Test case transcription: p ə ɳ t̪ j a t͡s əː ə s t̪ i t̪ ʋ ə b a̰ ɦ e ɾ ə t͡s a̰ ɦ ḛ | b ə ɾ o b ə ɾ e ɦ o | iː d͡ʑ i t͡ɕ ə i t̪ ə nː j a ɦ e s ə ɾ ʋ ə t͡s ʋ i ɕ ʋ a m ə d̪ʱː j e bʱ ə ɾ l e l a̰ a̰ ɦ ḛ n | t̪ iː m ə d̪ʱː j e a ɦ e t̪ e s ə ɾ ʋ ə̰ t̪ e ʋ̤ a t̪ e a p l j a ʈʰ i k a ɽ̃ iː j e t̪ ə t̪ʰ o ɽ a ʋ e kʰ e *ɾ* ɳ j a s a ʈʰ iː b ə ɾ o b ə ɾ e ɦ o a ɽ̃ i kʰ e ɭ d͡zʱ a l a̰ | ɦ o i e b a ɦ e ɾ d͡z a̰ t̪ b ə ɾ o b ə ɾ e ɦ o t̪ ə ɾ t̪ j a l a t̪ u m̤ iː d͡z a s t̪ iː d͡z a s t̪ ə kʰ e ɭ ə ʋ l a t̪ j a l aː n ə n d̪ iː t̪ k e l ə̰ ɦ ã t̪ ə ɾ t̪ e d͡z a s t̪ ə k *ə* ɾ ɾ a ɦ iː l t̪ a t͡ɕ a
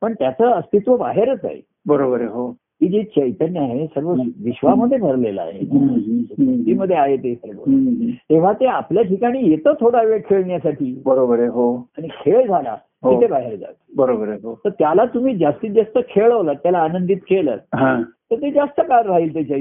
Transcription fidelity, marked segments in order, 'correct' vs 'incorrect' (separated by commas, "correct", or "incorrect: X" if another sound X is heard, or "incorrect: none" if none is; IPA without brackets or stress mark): incorrect: ɭ, incorrect: a